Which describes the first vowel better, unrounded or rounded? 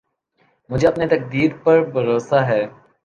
rounded